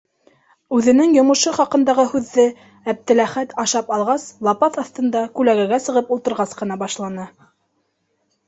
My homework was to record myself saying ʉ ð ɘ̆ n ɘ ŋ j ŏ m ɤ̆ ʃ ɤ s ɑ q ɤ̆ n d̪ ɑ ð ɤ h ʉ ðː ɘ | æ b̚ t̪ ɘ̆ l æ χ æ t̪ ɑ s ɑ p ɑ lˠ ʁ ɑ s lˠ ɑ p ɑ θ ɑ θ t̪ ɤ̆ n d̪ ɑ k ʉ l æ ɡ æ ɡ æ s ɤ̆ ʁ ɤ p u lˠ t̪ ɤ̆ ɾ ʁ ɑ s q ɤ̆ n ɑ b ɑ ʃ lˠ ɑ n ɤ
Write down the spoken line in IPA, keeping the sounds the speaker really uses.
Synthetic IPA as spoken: ʉ ð ɘ̆ n ɘ ŋ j ŏ m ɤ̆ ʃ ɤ χ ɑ q ɤ̆ n d̪ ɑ ʁ ɤ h ʉ ðː ɘ | æ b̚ t̪ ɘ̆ l æ χ æ t̪ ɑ ʃ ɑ p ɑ lˠ ʁ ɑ s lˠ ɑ p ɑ θ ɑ θ t̪ ɤ̆ n d̪ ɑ k ʉ l æ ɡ æ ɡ æ s ɤ̆ ʁ ɤ p u lˠ t̪ ɤ̆ ɾ ʁ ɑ s q ɤ̆ n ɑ b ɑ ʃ lˠ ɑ n ɤ